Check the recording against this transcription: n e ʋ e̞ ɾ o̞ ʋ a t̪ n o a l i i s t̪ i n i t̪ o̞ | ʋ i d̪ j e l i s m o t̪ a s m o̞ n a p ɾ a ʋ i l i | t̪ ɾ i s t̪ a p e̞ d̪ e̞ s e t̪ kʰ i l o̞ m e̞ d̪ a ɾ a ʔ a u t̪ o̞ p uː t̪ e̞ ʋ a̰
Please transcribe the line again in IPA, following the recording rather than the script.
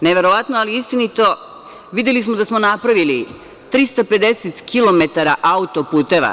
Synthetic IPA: n e ʋ e̞ ɾ o̞ ʋ a t̪ n o a l i i s t̪ i n i t̪ o̞ | ʋ i d̪ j e l i s m o d̪ a s m o̞ n a p ɾ a ʋ i l i | t̪ ɾ i s t̪ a p e̞ d̪ e̞ s e t̪ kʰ i l o̞ m e̞ t̪ a ɾ a ʔ a u t̪ o̞ p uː t̪ e̞ ʋ a̰